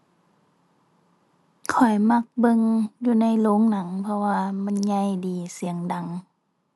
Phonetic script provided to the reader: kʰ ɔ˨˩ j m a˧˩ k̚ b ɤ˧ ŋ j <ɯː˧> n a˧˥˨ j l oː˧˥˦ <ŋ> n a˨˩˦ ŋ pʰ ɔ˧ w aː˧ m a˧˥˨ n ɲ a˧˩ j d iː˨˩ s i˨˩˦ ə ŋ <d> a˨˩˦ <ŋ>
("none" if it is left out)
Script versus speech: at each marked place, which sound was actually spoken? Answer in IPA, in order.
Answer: uː˧, ŋ, d, ŋ

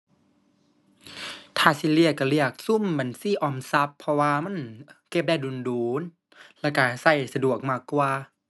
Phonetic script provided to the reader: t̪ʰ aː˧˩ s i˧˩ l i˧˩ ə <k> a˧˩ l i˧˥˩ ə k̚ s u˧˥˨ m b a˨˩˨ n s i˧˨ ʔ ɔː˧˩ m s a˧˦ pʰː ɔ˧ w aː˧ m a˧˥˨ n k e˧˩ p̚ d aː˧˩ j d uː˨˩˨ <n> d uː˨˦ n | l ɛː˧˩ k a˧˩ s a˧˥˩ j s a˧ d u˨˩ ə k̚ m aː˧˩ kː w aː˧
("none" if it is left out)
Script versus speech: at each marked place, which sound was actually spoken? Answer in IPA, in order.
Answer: k, n

